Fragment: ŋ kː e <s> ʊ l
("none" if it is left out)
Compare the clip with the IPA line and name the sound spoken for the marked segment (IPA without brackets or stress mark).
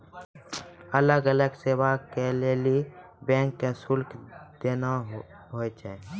s